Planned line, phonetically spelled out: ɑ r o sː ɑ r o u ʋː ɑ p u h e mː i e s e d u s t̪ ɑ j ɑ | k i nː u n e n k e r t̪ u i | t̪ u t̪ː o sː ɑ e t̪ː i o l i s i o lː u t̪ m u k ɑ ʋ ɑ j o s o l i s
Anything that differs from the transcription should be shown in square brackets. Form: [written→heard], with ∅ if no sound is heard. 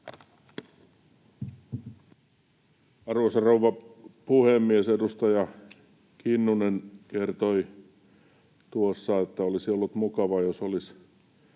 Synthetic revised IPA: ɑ r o [sː→s] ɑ r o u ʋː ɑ p u h e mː i e s e d u s t̪ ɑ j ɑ | k i nː u n e n k e r t̪ [u→o] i | t̪ u [t̪ː→∅] o sː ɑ e t̪ː [i→æ] o l i s i o lː u t̪ m u k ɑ ʋ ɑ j o s o l i s

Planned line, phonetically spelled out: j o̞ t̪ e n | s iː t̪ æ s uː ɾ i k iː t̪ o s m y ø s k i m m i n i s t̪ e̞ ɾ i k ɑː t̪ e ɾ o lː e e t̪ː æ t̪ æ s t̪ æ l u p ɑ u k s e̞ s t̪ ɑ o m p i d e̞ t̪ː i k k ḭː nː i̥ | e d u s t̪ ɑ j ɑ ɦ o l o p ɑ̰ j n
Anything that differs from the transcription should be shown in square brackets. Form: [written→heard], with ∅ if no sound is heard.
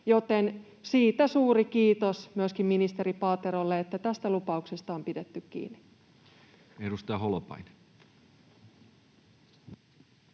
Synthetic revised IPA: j o̞ t̪ e n | s iː t̪ æ s uː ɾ i k iː t̪ o s m y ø s k i m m i n i s t̪ e̞ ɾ i [k→p] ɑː t̪ e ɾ o lː e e t̪ː æ t̪ æ s t̪ æ l u p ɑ u k s e̞ s t̪ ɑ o m p i d e̞ t̪ː [i→y] k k ḭː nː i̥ | e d u s t̪ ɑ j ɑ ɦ o l o p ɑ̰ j n

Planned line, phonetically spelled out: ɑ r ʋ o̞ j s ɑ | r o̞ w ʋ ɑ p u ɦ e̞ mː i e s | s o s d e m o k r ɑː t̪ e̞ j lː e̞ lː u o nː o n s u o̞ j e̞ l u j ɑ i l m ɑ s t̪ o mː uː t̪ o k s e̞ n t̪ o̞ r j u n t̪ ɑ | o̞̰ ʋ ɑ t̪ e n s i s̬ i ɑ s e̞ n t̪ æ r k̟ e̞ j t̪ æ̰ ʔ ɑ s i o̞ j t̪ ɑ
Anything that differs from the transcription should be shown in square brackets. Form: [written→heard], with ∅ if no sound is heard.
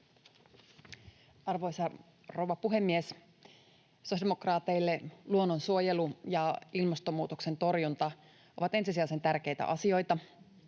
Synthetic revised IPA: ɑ r ʋ o̞ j s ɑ | r o̞ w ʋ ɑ p u ɦ e̞ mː i e s | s o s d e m o k r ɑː t̪ e̞ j lː e̞ [lː→l] u o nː o n s u o̞ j e̞ l u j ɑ i l m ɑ s t̪ o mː uː t̪ o k s e̞ n t̪ o̞ r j u n t̪ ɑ | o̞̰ ʋ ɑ t̪ e n s i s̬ i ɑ s e̞ n t̪ æ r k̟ e̞ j t̪ æ̰ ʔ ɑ s i o̞ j t̪ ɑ

